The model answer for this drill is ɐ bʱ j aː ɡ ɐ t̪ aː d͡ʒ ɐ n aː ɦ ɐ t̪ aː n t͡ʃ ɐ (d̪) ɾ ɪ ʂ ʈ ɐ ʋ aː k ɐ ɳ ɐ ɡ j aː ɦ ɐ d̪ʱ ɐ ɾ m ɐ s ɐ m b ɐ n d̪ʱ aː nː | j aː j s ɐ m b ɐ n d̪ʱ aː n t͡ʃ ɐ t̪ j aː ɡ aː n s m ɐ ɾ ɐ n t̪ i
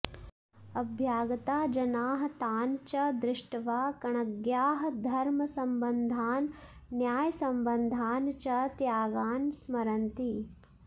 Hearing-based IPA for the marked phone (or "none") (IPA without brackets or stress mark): d̪